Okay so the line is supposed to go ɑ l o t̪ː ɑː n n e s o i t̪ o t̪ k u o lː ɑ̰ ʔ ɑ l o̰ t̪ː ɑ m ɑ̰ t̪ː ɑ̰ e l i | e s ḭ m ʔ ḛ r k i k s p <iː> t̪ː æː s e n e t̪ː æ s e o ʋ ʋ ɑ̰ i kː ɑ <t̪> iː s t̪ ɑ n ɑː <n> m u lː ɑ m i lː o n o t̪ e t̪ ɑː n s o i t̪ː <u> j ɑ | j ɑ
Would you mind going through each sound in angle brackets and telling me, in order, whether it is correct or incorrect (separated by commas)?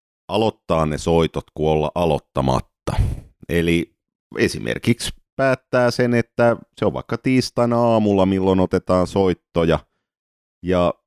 incorrect, correct, incorrect, incorrect